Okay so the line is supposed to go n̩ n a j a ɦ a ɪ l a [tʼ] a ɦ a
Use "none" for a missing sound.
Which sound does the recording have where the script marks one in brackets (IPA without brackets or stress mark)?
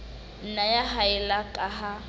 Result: kʼ